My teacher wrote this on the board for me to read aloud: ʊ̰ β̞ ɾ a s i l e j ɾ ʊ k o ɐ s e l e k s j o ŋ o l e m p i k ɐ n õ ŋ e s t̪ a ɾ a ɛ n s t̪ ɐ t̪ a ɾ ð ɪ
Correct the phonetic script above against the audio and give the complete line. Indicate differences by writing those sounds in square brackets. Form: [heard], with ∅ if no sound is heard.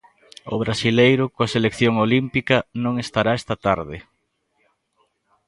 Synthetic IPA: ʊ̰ β̞ ɾ a s i l e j ɾ ʊ k o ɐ s e l e k [θ] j o ŋ o l [i] m p i k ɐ n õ ŋ e s t̪ a ɾ a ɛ [∅] s t̪ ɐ t̪ a ɾ ð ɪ

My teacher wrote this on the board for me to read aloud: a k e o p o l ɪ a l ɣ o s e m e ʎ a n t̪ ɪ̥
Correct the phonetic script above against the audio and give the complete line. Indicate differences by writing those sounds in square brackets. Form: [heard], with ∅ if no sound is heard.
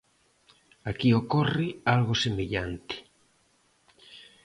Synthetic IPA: a k [i] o [k] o [r] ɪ a l ɣ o s e m e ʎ a n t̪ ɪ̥

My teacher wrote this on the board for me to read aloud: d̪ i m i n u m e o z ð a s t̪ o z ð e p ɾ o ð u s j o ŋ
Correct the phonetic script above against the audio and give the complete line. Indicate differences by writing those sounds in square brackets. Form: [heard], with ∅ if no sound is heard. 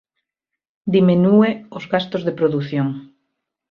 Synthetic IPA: d̪ i m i n u [∅] e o z [ɣ] a s t̪ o z ð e p ɾ o ð u [θ] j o ŋ

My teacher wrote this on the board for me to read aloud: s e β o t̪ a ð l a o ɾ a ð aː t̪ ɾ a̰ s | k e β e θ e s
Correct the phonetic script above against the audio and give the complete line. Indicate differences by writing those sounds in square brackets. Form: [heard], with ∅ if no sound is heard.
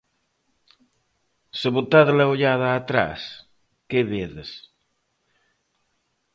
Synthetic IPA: s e β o t̪ a ð l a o [ʎ] a ð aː t̪ ɾ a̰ s | k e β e [ð] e s

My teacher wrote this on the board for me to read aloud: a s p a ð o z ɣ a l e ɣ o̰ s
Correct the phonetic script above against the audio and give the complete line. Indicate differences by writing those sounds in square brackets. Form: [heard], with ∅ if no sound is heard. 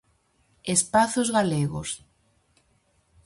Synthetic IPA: [e] s p a [θ] o z ɣ a l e ɣ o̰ s

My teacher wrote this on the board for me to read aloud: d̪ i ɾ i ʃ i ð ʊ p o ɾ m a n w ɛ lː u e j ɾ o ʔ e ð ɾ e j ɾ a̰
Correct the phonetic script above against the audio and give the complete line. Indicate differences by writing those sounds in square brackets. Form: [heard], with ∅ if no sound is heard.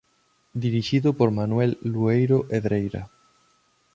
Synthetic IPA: d̪ i ɾ i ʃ i ð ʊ p o ɾ m a n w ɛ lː u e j ɾ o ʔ e ð ɾ e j ɾ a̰

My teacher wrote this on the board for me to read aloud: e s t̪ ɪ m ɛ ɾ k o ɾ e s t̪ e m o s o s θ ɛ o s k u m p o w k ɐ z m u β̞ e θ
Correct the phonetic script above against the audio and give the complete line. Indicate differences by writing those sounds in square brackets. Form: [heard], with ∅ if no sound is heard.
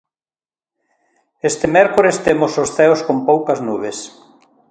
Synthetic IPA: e s t̪ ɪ m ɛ ɾ k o ɾ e s t̪ e m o s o s θ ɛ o s k [o] m p o w k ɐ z [n] u β̞ e [s]

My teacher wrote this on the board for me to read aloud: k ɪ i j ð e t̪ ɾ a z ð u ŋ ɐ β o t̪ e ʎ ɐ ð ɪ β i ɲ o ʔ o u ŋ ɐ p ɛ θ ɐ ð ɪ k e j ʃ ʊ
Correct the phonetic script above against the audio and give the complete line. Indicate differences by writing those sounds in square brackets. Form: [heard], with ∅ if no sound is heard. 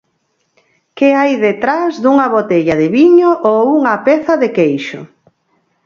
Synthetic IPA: k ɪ [a] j ð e t̪ ɾ a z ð u ŋ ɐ β o t̪ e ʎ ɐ ð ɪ β i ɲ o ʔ o u ŋ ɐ p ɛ θ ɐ ð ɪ k e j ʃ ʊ

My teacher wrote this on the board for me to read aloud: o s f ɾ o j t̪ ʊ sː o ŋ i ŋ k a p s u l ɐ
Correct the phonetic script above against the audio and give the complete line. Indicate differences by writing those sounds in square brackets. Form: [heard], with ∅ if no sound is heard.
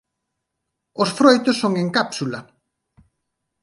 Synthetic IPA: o s f ɾ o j t̪ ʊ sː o ŋ [e] ŋ k a p s u l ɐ

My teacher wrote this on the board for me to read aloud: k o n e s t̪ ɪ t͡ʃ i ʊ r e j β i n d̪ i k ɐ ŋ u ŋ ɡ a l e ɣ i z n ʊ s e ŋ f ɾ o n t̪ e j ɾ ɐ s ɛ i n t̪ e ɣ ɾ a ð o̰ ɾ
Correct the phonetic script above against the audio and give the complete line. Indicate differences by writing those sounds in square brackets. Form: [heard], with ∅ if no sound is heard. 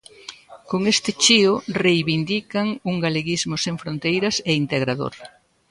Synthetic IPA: k o [ŋ] e s t̪ ɪ t͡ʃ i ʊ r e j β i n d̪ i k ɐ ŋ u ŋ ɡ a l e ɣ i z [m] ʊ s e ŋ f ɾ o n t̪ e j ɾ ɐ s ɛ i n t̪ e ɣ ɾ a ð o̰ ɾ

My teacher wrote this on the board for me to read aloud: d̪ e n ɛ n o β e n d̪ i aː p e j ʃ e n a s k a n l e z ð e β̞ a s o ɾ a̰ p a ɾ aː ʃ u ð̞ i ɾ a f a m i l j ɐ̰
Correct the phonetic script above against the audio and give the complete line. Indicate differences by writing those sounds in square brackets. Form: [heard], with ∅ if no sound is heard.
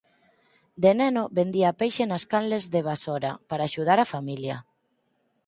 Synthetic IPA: d̪ e n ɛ n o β e n d̪ i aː p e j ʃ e n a s k a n l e z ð e β̞ a s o ɾ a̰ p a ɾ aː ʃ u ð̞ [a] ɾ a f a m i l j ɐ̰

